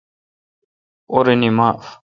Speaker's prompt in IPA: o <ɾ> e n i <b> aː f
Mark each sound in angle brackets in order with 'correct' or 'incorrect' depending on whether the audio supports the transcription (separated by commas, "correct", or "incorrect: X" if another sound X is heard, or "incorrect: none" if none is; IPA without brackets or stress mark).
correct, incorrect: m